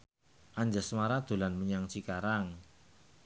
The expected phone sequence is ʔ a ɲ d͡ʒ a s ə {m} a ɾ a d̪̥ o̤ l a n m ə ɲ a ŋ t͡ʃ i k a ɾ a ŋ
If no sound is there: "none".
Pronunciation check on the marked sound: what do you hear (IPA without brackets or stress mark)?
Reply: m